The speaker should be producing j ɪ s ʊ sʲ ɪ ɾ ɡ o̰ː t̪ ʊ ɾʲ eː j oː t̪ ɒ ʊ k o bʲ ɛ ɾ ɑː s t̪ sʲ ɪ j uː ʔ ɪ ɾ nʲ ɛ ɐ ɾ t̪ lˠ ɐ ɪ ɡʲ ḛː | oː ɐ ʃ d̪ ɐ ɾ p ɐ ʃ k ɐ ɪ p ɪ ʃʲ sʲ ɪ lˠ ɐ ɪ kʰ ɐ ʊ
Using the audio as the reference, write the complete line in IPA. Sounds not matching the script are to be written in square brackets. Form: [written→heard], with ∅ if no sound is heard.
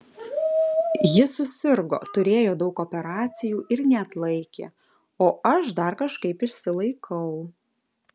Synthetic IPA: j ɪ s ʊ sʲ ɪ ɾ ɡ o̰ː t̪ ʊ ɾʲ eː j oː [t̪→d̪] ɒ ʊ k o [bʲ→pʲ] ɛ ɾ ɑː [s→∅] t̪ sʲ ɪ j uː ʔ ɪ ɾ nʲ ɛ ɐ [ɾ→∅] t̪ lˠ ɐ ɪ [ɡʲ→kʲ] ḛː | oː ɐ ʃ d̪ ɐ ɾ [p→k] ɐ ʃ k ɐ ɪ p ɪ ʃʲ sʲ ɪ lˠ ɐ ɪ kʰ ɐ ʊ